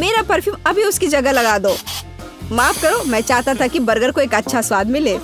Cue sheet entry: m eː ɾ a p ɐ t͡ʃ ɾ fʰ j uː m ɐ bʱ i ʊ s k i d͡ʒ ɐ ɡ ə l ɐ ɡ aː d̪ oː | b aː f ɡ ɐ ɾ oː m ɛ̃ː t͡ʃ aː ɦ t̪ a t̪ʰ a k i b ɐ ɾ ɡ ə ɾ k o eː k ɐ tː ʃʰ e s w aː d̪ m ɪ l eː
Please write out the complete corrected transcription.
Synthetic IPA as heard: m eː ɾ a p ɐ ɾ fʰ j uː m ɐ bʱ i ʊ s k i d͡ʒ ɐ ɡ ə l ɐ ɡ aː d̪ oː | m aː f k ɐ ɾ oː m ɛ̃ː t͡ʃ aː ɦ t̪ a t̪ʰ a k i b ɐ ɾ ɡ ə ɾ k o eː k ɐ tː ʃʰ a s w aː d̪ m ɪ l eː